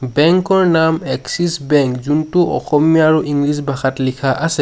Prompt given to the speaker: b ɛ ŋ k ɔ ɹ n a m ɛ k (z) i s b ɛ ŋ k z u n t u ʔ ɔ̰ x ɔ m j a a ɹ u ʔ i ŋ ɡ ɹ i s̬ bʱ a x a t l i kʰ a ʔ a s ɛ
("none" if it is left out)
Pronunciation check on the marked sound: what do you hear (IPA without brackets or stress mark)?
s